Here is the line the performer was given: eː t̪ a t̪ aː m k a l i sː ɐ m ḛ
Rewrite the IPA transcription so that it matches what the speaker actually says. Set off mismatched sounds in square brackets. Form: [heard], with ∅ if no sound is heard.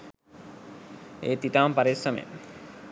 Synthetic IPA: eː t̪ [i] t̪ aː m [p] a [ɾ] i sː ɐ m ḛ